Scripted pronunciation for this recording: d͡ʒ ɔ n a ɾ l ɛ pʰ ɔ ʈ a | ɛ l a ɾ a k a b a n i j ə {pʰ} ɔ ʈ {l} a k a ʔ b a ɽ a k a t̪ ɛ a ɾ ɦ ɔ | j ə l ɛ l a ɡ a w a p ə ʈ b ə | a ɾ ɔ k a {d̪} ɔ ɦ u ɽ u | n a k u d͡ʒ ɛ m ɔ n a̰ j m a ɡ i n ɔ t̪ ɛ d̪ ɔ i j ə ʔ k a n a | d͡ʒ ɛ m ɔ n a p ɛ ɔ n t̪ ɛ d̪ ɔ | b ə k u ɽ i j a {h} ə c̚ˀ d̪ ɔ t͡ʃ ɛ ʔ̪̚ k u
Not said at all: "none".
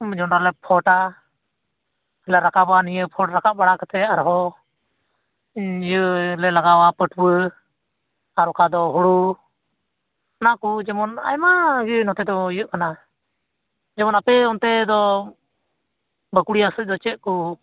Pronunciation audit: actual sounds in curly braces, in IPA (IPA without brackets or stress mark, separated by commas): pʰ, ɾ, d̪, s